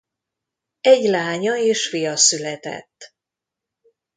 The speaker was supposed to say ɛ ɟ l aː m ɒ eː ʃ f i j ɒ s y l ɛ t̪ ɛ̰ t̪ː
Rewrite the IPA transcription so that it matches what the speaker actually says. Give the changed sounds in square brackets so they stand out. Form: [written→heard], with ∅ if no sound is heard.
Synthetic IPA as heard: ɛ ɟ l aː [m→ɲ] ɒ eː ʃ f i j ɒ s y l ɛ t̪ ɛ̰ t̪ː

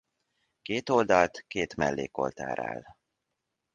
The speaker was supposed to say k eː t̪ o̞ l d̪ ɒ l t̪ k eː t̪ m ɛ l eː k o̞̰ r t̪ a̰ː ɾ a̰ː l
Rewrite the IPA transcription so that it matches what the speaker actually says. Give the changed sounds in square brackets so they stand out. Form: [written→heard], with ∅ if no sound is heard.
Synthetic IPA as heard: k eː t̪ o̞ l d̪ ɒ l t̪ k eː t̪ m ɛ [l→lː] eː k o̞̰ [r→l] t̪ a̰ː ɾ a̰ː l

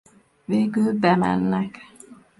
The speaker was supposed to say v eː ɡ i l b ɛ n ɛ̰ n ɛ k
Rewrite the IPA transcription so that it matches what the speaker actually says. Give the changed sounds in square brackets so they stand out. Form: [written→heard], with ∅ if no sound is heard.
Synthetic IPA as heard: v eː ɡ [i→y] l b ɛ [n→m] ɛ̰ [n→nː] ɛ k

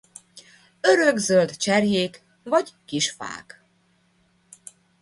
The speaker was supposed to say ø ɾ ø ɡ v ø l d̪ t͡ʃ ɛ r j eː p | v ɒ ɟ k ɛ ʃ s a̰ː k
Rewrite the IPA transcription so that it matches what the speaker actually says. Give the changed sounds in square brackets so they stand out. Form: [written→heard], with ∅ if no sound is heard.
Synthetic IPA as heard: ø ɾ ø ɡ [v→z] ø l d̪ t͡ʃ ɛ r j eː [p→k] | v ɒ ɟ k [ɛ→i] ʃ [s→f] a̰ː k

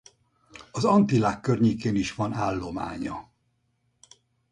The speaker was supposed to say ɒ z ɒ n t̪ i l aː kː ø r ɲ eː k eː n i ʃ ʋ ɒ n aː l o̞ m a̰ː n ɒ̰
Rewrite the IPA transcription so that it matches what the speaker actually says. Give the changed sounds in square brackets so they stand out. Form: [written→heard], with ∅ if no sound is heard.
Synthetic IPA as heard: ɒ z ɒ n t̪ i l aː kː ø r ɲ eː k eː n i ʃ ʋ ɒ n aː [l→lː] o̞ m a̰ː [n→ɲ] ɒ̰

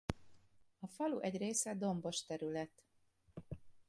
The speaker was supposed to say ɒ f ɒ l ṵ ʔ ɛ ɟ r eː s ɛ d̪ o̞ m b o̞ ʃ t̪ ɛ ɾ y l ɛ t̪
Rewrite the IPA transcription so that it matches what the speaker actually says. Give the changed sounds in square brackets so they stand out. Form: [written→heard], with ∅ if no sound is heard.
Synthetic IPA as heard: ɒ f ɒ l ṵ ʔ ɛ ɟ r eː s ɛ d̪ o̞ m b o̞ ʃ t̪ ɛ ɾ y l ɛ t̪

